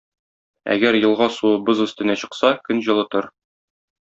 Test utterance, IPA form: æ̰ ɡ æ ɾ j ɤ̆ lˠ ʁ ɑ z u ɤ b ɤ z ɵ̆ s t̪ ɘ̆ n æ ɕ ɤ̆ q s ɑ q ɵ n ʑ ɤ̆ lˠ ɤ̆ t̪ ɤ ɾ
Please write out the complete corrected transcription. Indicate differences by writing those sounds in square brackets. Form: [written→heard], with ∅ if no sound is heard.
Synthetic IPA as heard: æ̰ ɡ æ ɾ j ɤ̆ lˠ ʁ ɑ [z→s] u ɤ b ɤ z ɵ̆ s t̪ ɘ̆ n æ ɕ ɤ̆ q s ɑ [q→k] ɵ n ʑ ɤ̆ lˠ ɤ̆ t̪ ɤ ɾ